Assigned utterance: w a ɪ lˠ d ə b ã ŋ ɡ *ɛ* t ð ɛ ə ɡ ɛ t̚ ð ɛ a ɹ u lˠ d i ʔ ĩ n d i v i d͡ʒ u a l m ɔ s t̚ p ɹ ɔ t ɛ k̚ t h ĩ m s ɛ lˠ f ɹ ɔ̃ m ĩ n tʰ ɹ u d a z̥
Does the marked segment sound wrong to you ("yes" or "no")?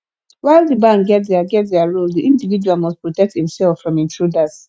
no